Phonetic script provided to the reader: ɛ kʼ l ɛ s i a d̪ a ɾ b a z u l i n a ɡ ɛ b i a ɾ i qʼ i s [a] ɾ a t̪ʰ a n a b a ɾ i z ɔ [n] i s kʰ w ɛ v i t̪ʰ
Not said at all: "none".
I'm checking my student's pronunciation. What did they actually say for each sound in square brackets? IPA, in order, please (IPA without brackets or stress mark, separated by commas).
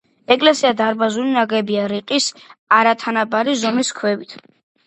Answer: a, m